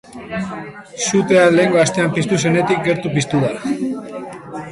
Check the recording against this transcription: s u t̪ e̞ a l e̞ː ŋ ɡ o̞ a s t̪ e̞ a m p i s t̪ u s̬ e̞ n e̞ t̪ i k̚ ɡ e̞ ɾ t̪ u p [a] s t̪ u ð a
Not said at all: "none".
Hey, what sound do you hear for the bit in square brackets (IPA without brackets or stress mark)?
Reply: i